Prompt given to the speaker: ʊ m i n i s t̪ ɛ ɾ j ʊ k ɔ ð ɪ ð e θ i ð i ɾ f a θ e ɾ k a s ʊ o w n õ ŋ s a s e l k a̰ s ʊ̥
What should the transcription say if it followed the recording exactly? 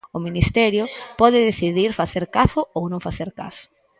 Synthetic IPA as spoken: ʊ m i n i s t̪ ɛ ɾ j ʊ p ɔ ð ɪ ð e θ i ð i ɾ f a θ e ɾ k a s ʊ o w n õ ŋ f a θ e ɾ k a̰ s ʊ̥